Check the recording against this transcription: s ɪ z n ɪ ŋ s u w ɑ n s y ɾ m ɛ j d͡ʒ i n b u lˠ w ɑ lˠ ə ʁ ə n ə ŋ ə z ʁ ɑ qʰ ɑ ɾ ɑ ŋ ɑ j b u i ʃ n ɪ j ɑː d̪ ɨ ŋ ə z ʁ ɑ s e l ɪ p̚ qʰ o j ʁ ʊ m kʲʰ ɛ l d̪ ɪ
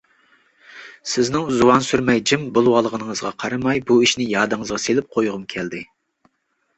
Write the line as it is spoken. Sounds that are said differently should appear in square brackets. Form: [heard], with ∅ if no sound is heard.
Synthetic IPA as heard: s ɪ z n ɪ ŋ [z] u w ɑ n s y ɾ m ɛ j d͡ʒ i [m] b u lˠ w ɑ lˠ ə ʁ ə n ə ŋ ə z ʁ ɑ qʰ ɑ ɾ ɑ [m] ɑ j b u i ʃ n ɪ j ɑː d̪ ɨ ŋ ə z ʁ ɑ s e l ɪ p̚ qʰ o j ʁ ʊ m kʲʰ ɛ l d̪ ɪ